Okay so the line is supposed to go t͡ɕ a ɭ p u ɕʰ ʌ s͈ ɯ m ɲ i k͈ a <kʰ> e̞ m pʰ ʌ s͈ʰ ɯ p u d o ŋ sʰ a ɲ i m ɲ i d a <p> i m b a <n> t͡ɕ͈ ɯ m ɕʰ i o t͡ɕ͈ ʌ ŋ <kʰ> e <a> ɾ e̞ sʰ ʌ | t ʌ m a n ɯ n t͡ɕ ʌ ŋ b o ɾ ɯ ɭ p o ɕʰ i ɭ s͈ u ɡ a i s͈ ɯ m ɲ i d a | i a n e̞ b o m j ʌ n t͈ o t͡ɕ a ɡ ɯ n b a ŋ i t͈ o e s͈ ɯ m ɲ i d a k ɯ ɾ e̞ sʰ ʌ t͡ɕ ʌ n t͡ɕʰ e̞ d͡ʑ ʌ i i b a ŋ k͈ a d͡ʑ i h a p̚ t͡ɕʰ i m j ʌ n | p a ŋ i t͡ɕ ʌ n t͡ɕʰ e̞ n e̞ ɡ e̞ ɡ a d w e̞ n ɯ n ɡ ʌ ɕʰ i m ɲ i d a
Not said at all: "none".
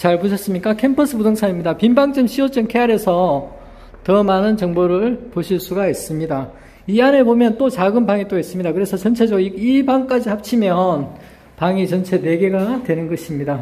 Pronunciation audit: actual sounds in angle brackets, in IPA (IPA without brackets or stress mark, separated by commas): kʰ, p, ŋ, kʰ, a